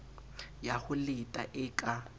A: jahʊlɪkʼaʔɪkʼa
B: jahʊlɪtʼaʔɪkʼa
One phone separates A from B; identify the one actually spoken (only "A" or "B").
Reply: B